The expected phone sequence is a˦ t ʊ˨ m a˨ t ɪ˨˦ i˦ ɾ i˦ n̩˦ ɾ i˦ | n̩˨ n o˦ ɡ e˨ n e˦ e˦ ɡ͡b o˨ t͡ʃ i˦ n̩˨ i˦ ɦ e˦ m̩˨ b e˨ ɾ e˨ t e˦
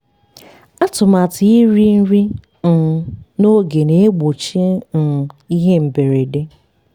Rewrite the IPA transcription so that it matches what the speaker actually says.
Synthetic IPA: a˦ t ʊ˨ m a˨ t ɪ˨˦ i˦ ɾ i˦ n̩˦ ɾ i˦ | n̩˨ n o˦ ɡ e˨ n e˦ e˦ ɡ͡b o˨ t͡ʃ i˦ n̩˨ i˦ ɦ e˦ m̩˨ b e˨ ɾ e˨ d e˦